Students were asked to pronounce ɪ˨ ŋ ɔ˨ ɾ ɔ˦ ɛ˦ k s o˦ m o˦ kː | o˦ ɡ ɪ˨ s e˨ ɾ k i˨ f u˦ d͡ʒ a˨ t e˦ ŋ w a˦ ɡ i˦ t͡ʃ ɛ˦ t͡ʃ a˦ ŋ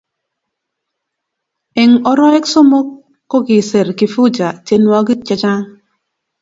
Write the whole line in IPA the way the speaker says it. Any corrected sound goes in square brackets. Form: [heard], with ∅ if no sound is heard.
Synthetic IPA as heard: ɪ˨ ŋ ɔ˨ ɾ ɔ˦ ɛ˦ k s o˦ m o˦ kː | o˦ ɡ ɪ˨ s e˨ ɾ k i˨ f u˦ d͡ʒ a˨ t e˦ [n] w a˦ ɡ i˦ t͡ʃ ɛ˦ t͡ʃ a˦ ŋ